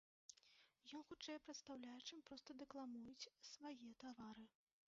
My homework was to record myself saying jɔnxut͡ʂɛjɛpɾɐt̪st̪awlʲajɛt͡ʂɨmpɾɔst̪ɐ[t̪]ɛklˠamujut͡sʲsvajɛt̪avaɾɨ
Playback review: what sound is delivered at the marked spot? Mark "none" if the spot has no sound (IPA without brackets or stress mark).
d̪